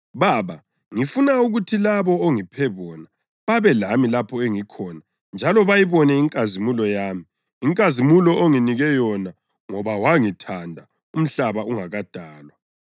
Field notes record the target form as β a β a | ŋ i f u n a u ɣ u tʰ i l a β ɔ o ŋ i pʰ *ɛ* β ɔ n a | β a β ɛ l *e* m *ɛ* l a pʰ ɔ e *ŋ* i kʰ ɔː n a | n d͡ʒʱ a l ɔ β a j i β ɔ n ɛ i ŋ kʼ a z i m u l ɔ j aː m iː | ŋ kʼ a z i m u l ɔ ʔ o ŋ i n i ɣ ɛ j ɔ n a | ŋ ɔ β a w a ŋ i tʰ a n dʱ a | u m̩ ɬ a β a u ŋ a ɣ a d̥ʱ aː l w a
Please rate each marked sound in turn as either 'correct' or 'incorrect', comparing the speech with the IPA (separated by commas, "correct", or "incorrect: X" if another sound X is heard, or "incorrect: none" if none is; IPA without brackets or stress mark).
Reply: correct, incorrect: a, incorrect: i, correct